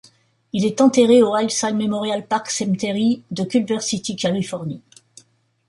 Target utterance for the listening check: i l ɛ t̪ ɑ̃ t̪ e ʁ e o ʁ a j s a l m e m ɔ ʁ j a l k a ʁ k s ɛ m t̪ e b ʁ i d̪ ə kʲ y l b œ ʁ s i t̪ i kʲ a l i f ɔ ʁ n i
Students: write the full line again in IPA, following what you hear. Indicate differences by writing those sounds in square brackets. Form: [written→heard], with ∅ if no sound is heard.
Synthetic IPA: i l ɛ t̪ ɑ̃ t̪ e ʁ e o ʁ a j s a l m e m ɔ ʁ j a l [k→p] a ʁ k s ɛ m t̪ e [b→∅] ʁ i d̪ ə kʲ y l b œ ʁ s i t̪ i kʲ a l i f ɔ ʁ n i

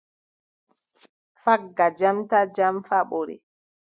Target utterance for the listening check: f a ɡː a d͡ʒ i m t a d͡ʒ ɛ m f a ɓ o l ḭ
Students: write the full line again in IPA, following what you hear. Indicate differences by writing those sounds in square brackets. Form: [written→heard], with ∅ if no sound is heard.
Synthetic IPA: f a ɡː a d͡ʒ [i→a] m t a d͡ʒ [ɛ→a] m f a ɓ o [l→ɾ] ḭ

